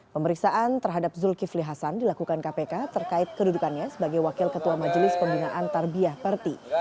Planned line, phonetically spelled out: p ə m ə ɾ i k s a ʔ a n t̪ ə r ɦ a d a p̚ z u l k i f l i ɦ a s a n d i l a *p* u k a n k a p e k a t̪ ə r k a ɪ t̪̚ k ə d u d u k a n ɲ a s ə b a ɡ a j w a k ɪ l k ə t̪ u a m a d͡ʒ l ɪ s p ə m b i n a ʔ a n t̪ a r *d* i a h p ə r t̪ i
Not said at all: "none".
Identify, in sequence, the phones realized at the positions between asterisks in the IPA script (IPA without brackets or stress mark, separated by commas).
k, b